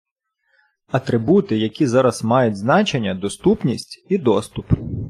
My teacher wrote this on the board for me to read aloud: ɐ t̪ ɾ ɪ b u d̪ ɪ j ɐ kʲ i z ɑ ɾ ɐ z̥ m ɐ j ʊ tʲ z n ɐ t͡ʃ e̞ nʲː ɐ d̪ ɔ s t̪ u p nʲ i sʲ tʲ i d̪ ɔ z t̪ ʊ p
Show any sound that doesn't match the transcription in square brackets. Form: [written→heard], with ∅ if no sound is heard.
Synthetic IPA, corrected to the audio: ɐ t̪ ɾ ɪ b u [d̪→t̪] ɪ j ɐ kʲ i z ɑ ɾ ɐ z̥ m [ɐ→ɑ] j ʊ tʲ z n [ɐ→ɑ] t͡ʃ e̞ nʲː ɐ d̪ ɔ s t̪ u p nʲ i sʲ tʲ i d̪ ɔ [z→s] t̪ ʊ p